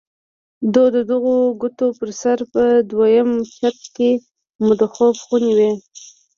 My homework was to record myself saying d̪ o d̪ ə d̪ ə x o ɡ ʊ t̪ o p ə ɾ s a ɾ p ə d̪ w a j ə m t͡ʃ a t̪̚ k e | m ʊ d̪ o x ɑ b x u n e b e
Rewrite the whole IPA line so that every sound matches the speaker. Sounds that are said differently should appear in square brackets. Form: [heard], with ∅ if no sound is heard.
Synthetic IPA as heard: d̪ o d̪ ə d̪ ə [ɣ] o ɡ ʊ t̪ o p ə ɾ s a ɾ p ə d̪ w a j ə m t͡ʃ a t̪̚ k e | m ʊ d̪ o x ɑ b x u n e [w] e